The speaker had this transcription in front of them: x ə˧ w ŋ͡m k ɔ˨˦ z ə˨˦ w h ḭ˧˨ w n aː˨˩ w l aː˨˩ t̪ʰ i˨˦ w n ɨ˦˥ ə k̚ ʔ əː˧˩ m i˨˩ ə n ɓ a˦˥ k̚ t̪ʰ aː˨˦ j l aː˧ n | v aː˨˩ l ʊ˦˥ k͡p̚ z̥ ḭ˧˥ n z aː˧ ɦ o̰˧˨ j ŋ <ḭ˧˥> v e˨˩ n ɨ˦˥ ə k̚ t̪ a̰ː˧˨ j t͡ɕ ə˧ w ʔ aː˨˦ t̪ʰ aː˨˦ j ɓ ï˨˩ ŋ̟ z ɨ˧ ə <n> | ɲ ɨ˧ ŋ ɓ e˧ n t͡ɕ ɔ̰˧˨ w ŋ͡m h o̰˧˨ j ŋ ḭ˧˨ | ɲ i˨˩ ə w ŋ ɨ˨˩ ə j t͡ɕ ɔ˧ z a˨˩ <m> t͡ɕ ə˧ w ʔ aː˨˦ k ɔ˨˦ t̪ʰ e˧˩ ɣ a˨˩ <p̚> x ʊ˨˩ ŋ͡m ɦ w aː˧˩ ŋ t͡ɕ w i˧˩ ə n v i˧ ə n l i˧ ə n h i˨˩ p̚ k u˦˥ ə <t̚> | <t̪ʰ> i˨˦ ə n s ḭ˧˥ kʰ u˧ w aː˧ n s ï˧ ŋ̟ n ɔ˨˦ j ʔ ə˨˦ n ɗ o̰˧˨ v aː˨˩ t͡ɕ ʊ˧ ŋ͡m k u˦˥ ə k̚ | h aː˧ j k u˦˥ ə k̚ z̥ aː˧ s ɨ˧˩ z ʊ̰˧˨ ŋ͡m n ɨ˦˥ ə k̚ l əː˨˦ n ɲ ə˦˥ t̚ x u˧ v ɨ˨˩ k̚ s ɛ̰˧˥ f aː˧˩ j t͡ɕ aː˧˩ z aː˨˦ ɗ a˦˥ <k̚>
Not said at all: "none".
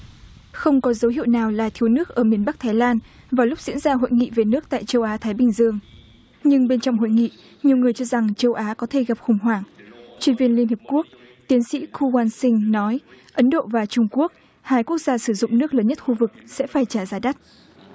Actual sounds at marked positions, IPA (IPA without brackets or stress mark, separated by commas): ḭ˧˨, ŋ, ŋ, p̚, k̚, t̪, t̚